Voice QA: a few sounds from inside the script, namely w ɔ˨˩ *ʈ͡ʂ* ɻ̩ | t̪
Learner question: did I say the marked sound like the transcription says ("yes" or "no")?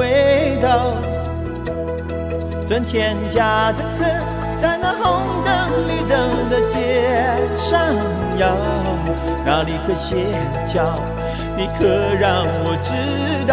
yes